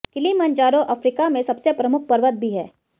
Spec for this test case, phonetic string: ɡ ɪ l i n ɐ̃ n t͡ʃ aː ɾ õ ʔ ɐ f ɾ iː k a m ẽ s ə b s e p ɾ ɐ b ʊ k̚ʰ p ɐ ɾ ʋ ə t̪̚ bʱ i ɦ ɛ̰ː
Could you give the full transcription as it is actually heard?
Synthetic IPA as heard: k ɪ l i m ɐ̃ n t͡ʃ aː ɾ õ ʔ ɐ f ɾ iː k a m ẽ s ɐ b s e p ɾ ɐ m ʊ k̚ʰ p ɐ ɾ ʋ ə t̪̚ bʱ i ɦ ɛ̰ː